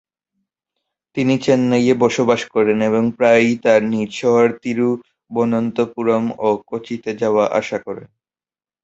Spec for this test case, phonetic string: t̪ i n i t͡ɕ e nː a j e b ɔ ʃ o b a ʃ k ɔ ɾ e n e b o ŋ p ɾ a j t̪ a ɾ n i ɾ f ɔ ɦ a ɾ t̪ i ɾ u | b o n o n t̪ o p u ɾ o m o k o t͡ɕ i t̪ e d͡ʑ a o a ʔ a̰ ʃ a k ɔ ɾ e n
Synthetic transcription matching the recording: t̪ i n i t͡ɕ e nː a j e b ɔ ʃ o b a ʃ k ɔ ɾ e n e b o ŋ p ɾ a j t̪ a ɾ n i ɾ ʃ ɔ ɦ a ɾ t̪ i ɾ u | b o n o n t̪ o p u ɾ o m o k o t͡ɕ i t̪ e d͡ʑ a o a ʔ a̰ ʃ a k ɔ ɾ e n